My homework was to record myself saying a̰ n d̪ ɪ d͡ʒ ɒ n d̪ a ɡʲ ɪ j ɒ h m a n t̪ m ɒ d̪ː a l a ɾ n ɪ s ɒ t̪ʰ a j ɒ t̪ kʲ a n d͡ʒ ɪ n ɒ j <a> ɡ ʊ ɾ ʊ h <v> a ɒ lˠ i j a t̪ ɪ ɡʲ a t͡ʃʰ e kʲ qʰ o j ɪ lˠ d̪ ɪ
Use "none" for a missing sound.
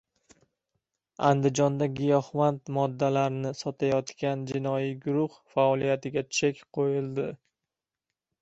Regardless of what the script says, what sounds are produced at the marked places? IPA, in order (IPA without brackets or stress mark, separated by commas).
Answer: i, f